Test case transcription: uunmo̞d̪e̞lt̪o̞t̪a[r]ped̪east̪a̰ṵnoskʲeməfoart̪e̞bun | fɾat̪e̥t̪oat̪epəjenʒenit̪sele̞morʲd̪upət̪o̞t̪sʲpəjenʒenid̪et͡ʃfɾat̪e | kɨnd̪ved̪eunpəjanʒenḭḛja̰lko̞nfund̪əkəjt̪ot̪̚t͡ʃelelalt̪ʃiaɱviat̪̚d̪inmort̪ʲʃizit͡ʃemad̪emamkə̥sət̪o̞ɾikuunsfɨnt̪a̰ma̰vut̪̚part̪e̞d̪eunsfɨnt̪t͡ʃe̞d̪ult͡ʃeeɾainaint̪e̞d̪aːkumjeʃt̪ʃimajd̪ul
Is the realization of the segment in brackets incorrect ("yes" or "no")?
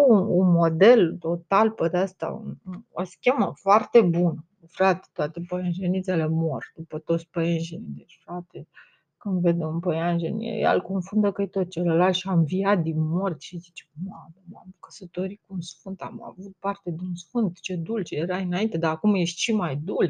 yes